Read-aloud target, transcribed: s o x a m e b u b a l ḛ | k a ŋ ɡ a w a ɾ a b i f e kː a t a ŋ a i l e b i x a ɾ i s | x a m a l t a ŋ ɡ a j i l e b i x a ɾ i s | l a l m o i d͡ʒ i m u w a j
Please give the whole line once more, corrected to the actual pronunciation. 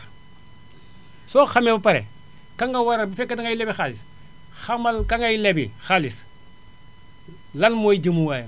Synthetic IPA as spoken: s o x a m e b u p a ɾ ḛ | k a ŋ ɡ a w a ɾ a b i f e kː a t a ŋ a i l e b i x a l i s | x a m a l k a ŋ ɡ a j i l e b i x a l i s | l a l m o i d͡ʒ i m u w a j

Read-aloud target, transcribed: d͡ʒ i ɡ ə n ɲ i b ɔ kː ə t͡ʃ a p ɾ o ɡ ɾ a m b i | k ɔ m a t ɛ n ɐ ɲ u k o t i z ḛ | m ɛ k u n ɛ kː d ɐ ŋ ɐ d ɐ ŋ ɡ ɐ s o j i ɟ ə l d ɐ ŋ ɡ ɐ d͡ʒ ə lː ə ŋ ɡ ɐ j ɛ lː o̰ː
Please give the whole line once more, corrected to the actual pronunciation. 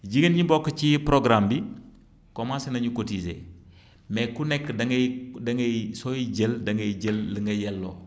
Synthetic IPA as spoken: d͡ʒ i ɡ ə n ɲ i b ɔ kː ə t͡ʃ i p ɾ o ɡ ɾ a m b i | k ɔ m a s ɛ n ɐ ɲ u k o t i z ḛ | m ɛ k u n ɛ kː d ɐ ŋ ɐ d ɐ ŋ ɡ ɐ s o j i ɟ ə l d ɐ ŋ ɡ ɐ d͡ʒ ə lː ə ŋ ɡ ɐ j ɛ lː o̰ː

